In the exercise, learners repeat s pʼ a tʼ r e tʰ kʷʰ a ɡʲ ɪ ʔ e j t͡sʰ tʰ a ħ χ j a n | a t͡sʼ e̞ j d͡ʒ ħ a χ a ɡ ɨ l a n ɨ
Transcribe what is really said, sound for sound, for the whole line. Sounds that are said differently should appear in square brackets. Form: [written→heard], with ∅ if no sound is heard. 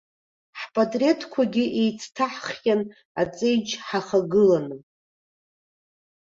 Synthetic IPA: [s→ħ] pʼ a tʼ r e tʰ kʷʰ a ɡʲ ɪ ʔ e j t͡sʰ tʰ a ħ χ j a n | a t͡sʼ e̞ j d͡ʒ ħ a χ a ɡ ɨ l a n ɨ